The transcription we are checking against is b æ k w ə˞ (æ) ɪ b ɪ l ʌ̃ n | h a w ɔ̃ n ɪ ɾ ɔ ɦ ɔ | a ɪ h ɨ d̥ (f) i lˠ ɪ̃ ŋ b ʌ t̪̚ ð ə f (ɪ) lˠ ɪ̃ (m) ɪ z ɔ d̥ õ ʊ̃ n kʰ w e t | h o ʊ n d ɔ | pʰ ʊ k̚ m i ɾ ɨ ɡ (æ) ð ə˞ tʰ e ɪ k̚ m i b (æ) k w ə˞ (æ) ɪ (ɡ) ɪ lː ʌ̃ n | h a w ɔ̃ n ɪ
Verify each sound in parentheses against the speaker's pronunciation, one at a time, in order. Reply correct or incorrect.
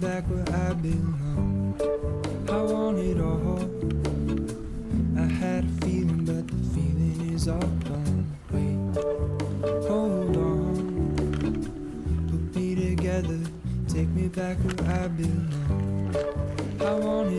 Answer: incorrect: a, correct, incorrect: i, incorrect: ŋ, incorrect: ɛ, correct, incorrect: a, incorrect: b

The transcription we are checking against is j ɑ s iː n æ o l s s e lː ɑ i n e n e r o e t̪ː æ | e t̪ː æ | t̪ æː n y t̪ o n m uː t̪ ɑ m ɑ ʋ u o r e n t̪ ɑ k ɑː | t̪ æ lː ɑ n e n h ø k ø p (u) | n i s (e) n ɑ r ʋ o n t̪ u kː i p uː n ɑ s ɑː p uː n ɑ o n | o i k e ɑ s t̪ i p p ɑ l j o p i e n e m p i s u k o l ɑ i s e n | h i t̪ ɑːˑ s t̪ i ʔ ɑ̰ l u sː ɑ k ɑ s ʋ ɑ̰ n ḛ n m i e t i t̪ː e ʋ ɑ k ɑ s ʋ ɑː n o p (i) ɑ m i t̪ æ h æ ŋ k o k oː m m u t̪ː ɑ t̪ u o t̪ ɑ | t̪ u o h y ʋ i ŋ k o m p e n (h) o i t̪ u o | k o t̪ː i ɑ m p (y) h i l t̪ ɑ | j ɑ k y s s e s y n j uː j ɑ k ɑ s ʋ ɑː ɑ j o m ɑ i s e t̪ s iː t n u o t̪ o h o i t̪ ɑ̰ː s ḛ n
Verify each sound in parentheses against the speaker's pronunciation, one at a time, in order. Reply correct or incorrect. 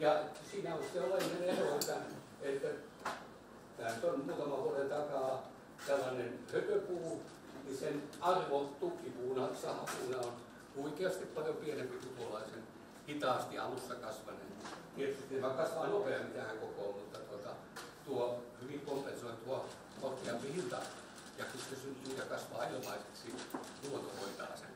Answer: incorrect: uː, correct, incorrect: e, incorrect: s, incorrect: i

